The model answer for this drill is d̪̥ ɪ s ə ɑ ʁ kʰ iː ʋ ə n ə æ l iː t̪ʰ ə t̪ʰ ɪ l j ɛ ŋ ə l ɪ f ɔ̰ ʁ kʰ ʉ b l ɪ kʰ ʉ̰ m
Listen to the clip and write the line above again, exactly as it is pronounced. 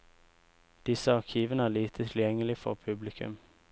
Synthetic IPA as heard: d̪̥ ɪ s ə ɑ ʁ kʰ iː ʋ ə n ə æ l iː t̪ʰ ə t̪ʰ ɪ l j ɛ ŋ ə l ɪ f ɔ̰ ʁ pʰ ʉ b l ɪ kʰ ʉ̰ m